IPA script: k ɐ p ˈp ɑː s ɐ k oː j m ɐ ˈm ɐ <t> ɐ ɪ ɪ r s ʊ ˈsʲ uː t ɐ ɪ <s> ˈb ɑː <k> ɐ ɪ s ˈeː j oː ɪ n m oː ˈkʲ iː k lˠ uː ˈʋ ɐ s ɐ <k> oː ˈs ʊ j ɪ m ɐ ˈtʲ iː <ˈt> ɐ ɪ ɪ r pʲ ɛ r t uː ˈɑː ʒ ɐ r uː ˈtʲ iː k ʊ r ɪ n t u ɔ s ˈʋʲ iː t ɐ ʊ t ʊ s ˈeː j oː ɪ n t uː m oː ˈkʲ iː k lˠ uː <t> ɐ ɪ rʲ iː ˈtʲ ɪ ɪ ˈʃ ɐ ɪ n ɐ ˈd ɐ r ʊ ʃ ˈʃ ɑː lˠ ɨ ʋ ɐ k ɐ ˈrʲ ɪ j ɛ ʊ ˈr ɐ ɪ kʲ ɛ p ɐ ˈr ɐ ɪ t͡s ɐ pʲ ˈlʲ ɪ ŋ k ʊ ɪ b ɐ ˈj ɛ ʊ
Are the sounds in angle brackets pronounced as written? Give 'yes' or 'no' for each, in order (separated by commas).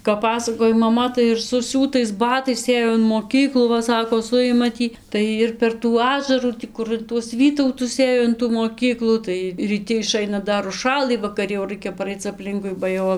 yes, yes, no, yes, yes, yes